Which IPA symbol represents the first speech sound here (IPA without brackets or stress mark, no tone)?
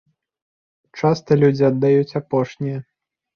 t͡ʂ